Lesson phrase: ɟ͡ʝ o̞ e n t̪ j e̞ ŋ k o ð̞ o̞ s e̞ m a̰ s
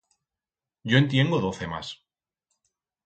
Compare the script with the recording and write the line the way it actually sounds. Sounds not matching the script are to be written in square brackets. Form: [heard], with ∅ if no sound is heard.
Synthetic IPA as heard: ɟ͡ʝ o̞ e n t̪ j e̞ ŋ [ɡ] o ð̞ o̞ [θ] e̞ m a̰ s